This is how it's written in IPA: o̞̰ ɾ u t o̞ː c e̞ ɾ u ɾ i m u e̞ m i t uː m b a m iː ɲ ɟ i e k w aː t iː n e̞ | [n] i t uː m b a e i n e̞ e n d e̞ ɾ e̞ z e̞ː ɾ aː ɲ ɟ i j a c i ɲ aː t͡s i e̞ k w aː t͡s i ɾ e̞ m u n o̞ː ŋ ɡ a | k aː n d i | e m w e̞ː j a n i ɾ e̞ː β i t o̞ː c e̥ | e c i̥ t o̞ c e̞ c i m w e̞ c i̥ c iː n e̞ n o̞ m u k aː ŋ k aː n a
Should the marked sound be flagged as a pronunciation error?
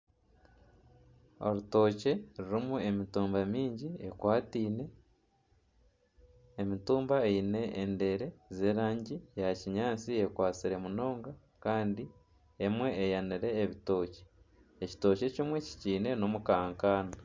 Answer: yes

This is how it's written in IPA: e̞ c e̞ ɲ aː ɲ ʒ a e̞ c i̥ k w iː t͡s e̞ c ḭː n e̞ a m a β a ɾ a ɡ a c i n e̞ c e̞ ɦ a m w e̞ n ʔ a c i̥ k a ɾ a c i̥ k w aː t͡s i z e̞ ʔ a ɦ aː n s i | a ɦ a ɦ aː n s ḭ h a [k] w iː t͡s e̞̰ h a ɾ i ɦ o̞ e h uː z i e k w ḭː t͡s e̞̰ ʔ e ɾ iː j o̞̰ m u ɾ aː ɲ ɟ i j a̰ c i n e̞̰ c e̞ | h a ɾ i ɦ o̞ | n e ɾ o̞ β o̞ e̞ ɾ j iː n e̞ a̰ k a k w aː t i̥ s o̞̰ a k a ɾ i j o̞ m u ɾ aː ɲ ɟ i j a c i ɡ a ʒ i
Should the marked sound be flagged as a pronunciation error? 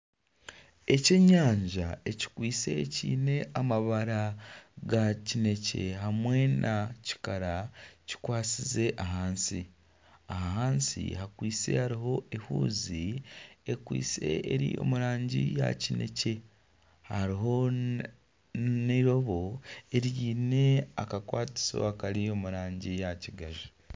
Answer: no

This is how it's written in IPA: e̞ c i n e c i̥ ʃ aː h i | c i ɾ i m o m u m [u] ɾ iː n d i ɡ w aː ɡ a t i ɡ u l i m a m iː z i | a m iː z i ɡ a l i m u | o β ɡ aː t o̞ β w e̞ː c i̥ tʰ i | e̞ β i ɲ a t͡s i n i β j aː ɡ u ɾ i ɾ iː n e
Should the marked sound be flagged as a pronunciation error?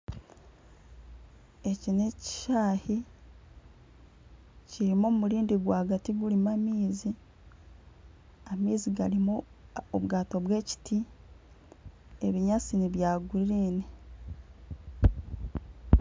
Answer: no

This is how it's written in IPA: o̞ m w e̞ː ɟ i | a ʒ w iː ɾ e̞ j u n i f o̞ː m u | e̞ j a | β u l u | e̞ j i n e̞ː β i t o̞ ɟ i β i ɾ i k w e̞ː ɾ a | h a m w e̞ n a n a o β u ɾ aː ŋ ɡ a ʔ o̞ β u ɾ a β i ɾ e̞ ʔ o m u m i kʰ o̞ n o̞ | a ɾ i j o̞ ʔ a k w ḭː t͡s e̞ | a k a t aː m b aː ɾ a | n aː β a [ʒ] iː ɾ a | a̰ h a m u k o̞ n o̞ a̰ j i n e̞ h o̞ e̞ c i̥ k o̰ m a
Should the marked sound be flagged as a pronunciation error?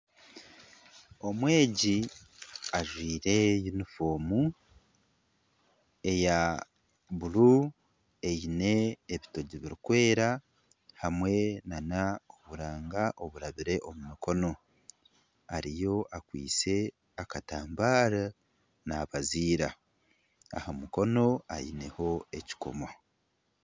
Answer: yes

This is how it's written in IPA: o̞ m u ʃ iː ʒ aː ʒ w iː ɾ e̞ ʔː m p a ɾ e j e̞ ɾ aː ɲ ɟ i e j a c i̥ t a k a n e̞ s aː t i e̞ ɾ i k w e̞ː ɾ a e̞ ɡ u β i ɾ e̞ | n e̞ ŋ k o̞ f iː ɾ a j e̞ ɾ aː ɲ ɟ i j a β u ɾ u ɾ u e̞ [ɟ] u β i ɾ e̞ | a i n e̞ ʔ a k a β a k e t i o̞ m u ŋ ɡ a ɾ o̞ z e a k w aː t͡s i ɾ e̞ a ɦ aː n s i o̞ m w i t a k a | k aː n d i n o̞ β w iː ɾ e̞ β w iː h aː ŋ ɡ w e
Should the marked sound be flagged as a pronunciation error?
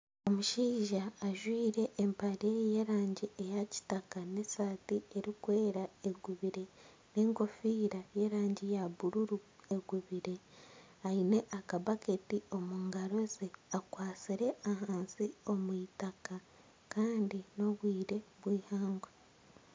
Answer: yes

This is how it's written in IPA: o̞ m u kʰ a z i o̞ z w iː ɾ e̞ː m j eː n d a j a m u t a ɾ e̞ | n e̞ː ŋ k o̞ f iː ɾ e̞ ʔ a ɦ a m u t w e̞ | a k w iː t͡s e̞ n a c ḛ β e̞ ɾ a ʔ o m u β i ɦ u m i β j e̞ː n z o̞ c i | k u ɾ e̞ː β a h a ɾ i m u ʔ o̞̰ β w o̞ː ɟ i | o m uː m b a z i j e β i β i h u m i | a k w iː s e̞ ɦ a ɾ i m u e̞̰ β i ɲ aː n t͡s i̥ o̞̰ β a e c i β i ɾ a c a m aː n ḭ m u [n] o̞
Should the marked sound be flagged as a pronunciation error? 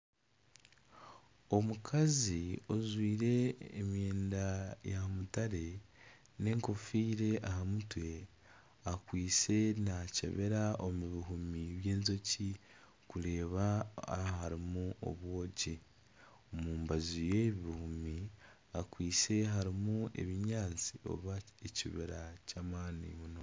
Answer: no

